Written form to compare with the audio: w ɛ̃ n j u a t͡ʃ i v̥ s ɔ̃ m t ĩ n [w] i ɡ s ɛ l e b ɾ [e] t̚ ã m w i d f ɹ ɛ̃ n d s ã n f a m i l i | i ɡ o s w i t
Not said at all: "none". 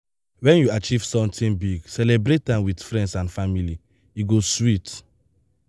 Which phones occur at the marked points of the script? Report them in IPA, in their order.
b, e

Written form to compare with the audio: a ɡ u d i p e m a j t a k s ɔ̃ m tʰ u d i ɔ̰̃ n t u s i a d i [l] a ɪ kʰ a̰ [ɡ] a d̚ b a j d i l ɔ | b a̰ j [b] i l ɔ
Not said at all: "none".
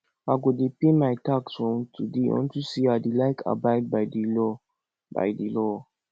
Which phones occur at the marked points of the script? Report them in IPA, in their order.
l, b, d

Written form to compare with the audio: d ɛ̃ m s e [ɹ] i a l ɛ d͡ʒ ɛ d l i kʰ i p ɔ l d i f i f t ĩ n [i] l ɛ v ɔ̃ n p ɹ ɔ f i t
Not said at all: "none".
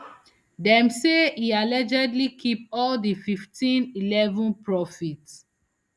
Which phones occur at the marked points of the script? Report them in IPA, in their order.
none, i

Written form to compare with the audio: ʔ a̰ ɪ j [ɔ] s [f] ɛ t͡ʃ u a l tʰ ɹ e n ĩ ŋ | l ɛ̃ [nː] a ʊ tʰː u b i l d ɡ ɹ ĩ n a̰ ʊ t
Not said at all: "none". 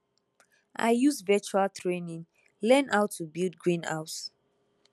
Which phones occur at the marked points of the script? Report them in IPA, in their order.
u, v, n

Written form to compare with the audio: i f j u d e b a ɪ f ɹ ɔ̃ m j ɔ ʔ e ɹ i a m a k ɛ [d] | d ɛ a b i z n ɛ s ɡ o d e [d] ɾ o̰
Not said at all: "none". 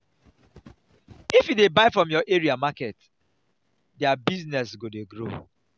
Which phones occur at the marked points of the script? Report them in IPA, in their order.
t, ɡ

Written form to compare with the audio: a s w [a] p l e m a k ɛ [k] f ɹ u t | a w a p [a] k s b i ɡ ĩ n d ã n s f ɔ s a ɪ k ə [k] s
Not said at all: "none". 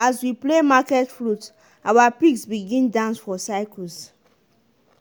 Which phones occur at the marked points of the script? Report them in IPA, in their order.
i, t, i, none

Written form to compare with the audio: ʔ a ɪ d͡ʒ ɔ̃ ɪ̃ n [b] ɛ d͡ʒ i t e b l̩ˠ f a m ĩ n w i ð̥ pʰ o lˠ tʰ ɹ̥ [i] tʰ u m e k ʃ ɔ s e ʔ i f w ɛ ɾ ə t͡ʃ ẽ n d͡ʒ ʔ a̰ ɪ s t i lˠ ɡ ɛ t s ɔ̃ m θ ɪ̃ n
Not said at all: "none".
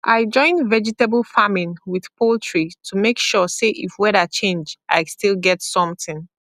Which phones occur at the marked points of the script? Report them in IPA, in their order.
v, i

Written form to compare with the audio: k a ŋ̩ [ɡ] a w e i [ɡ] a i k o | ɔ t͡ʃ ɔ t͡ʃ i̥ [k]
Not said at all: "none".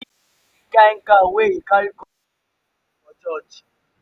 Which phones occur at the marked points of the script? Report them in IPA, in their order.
k, k, none

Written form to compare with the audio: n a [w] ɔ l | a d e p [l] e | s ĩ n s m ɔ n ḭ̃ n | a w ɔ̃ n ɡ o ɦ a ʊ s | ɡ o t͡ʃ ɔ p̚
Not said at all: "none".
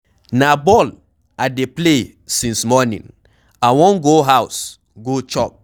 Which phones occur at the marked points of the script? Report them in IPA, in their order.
b, l

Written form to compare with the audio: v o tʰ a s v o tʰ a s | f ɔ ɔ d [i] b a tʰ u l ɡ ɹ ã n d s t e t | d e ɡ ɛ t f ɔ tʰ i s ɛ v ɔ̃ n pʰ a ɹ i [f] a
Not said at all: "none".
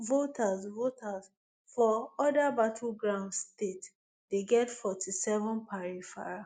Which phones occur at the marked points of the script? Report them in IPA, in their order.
a, f

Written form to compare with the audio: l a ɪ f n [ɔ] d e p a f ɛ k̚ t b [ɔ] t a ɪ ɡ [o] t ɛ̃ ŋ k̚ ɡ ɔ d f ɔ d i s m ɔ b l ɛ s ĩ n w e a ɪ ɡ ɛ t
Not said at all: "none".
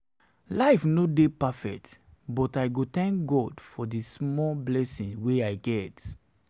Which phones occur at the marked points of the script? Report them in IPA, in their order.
o, ɔ, o

